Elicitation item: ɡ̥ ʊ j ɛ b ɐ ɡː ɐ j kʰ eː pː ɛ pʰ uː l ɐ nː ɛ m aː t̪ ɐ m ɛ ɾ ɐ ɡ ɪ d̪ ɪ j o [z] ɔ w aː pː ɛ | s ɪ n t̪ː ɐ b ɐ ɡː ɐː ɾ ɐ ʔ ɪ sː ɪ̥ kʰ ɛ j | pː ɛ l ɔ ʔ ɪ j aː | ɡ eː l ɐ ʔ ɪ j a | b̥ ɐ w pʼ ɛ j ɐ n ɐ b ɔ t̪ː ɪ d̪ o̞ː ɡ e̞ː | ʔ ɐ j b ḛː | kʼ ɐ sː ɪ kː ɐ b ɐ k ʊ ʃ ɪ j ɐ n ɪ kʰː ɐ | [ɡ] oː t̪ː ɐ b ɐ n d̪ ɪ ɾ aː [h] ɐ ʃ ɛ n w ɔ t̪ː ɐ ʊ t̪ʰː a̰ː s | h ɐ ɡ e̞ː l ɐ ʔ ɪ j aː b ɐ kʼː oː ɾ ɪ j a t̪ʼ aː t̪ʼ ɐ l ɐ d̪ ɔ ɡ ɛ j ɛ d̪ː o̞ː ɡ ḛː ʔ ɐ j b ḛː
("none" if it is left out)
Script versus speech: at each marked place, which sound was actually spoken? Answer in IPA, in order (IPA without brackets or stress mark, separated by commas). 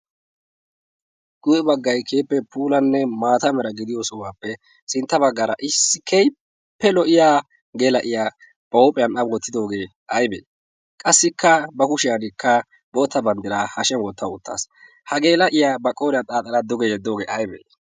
s, b, h